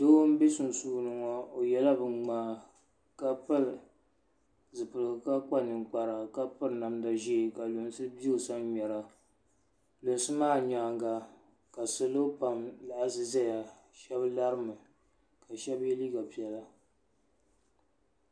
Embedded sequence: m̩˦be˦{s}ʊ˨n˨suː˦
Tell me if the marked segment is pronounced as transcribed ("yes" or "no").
yes